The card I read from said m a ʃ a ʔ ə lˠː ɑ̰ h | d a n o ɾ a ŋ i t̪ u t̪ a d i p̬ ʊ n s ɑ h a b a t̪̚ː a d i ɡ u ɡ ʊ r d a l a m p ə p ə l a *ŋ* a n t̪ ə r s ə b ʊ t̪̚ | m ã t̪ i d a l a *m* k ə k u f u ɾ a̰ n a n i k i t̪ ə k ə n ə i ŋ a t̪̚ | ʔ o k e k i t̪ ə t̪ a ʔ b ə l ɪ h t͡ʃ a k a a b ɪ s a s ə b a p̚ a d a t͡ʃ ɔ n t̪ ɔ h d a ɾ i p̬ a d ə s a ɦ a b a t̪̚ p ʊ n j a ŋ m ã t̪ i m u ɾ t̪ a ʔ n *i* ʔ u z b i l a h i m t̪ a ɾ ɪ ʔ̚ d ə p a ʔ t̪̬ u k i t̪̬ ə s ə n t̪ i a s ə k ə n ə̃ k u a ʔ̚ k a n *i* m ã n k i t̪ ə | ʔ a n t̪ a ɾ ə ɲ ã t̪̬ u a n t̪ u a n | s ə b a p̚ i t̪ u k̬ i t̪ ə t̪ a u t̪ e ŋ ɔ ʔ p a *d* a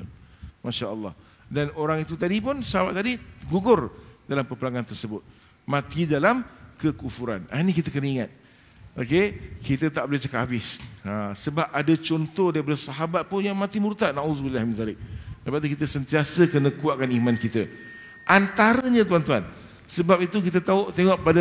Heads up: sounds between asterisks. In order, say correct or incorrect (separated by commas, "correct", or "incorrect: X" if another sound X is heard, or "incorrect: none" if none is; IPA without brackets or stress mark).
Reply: correct, correct, incorrect: a, correct, correct